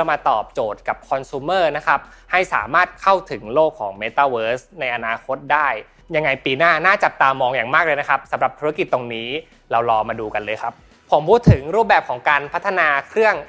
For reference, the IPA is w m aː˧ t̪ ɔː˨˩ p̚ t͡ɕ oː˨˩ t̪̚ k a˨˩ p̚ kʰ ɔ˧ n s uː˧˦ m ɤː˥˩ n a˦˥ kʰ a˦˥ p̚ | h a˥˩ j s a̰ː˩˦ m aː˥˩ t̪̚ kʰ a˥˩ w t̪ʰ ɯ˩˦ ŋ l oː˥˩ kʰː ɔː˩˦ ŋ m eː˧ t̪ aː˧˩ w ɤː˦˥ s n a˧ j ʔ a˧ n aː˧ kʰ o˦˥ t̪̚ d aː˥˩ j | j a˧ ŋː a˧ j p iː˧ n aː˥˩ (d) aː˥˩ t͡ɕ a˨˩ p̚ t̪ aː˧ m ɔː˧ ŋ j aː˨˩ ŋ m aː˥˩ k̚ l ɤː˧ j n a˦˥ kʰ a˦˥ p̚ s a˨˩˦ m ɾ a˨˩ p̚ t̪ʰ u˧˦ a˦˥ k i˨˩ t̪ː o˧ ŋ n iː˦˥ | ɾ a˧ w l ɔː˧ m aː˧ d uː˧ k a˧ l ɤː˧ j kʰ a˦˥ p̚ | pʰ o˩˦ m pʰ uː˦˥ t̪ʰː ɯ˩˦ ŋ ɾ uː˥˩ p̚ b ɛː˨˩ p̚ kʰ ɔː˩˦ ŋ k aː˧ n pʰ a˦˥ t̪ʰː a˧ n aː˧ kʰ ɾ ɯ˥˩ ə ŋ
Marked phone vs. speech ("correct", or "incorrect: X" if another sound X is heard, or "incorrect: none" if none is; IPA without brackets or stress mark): incorrect: n